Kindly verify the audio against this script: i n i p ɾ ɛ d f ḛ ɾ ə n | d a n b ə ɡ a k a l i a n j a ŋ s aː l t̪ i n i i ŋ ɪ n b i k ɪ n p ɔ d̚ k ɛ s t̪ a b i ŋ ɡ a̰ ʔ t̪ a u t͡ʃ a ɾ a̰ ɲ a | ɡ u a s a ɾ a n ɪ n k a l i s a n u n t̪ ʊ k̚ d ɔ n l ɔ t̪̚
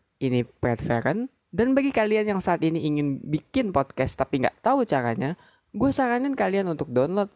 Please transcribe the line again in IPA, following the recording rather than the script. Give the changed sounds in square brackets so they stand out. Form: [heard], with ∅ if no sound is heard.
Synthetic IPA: i n i p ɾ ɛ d f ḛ ɾ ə n | d a n b [a] ɡ [i] k a l i a n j a ŋ s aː [∅] t̪ i n i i ŋ ɪ n b i k ɪ n p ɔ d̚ k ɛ s t̪ a [p] i ŋ ɡ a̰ ʔ t̪ a u t͡ʃ a ɾ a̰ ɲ a | ɡ u a s a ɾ a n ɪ n k a l i [∅] a n u n t̪ ʊ k̚ d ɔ n l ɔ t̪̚